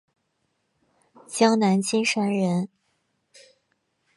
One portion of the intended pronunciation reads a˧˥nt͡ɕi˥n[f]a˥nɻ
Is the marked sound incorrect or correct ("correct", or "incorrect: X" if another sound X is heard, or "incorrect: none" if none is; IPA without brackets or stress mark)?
incorrect: ʂ